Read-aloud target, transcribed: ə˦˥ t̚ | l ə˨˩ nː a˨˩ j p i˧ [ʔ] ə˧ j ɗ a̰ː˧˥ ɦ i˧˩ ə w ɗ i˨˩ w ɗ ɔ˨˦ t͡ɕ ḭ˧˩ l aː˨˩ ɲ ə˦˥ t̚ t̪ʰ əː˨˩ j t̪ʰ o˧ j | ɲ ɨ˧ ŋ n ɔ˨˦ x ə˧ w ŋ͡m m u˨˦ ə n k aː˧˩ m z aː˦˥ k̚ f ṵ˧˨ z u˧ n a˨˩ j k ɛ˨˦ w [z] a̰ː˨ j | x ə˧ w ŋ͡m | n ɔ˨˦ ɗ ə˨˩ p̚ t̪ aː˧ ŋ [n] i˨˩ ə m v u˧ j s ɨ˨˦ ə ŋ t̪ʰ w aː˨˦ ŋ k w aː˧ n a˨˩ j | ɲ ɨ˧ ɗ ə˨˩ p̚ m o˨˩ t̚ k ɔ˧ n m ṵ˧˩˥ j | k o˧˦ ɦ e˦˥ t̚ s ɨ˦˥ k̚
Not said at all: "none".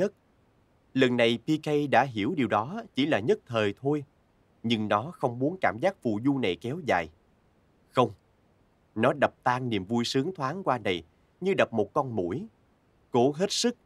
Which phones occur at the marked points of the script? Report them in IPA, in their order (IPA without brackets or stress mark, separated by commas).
k, z, n